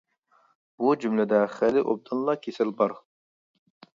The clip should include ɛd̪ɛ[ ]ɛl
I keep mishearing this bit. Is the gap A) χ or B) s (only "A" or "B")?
A